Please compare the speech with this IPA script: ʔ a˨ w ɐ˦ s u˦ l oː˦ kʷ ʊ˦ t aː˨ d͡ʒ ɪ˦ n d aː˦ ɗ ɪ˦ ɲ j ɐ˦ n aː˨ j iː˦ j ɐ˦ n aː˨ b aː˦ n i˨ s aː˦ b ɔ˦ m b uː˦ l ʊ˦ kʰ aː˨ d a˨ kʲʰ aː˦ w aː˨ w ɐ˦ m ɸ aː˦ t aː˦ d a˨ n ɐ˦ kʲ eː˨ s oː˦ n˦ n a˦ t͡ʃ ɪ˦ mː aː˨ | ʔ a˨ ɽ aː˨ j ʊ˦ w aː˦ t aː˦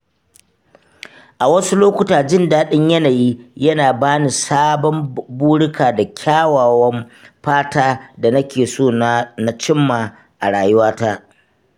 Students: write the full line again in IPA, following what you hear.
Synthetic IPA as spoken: ʔ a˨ w ɐ˦ s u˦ l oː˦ kʷ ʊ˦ t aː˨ d͡ʒ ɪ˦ n d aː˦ ɗ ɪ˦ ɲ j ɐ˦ n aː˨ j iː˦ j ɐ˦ n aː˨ b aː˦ n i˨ s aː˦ b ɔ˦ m b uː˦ ɽ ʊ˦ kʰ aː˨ d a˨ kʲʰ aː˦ w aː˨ w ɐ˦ m ɸ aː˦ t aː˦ d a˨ n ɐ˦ kʲ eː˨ s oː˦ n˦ n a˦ t͡ʃ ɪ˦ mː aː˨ | ʔ a˨ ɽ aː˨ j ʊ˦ w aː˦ t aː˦